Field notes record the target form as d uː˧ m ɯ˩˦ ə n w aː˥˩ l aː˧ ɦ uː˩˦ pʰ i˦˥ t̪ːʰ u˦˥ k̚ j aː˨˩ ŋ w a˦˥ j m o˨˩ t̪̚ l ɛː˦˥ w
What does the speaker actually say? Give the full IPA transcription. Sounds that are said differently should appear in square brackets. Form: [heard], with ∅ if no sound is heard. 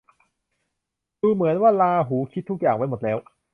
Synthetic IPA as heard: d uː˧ m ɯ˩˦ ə n w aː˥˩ l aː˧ ɦ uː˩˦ [kʰ] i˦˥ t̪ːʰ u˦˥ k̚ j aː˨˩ ŋ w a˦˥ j m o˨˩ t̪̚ l ɛː˦˥ w